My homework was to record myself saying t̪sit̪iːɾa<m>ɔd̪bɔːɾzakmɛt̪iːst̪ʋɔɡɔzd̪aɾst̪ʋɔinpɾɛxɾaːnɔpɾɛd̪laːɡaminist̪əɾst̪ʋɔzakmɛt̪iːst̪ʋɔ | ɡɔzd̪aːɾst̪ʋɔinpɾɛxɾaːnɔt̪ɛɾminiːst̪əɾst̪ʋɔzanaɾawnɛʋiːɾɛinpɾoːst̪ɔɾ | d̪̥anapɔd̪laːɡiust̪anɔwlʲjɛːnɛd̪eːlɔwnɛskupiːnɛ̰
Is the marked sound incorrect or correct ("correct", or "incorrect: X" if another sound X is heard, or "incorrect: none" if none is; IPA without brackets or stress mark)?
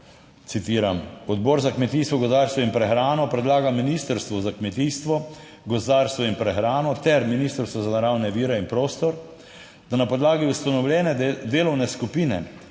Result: correct